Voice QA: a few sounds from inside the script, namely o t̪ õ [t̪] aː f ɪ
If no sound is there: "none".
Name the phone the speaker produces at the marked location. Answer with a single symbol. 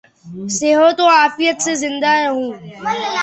none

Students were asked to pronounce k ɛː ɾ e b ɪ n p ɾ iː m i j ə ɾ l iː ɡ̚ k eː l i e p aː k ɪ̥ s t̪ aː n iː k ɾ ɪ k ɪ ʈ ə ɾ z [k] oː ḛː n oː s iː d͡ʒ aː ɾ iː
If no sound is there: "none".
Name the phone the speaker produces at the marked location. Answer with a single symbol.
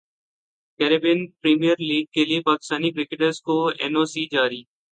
k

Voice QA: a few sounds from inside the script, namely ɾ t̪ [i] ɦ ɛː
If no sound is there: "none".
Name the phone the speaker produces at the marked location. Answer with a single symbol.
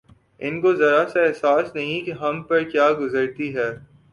i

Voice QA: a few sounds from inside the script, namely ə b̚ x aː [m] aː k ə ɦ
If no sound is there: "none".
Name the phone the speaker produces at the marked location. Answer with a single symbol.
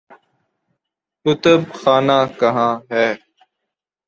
n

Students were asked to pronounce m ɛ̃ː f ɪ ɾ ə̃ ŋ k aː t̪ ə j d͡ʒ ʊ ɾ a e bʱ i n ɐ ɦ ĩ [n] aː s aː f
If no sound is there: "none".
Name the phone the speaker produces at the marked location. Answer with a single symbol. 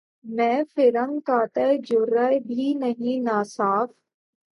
n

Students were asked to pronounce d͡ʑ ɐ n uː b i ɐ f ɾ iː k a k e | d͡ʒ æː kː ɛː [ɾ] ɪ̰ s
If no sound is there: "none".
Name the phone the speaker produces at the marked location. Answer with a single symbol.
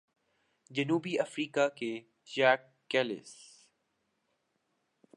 l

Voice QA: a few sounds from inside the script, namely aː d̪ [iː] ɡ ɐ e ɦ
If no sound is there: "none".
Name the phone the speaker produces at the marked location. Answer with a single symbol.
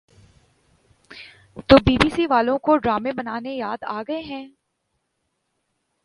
aː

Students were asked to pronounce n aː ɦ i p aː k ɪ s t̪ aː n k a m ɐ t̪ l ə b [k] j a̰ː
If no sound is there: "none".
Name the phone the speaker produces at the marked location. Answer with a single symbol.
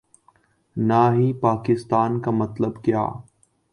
k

